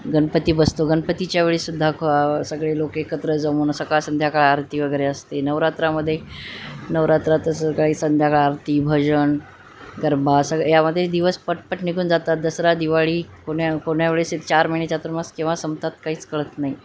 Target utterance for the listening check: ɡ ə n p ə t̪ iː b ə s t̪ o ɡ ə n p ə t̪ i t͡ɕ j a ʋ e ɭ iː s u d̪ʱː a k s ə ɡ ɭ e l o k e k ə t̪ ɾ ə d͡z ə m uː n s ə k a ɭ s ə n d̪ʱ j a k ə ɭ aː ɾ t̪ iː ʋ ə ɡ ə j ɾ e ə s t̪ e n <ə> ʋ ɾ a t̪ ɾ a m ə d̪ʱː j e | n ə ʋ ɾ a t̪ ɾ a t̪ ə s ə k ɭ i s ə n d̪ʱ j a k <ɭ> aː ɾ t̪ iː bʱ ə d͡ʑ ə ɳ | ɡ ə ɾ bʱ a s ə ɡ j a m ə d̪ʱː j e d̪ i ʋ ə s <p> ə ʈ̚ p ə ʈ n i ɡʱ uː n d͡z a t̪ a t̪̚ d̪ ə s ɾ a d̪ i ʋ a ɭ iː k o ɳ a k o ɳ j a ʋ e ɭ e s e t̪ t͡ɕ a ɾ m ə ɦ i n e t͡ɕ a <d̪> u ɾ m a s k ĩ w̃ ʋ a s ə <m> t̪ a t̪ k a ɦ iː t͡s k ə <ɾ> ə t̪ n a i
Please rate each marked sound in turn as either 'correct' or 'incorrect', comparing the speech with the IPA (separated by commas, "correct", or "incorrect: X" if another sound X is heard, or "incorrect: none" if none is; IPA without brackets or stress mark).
correct, correct, correct, incorrect: t̪, correct, incorrect: ɭ